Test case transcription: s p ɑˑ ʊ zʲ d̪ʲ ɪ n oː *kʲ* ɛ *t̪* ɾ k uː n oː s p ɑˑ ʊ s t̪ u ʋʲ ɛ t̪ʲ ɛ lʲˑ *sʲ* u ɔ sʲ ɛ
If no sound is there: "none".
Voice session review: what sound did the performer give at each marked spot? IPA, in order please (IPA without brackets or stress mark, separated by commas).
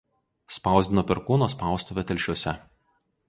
pʲ, none, ʃʲ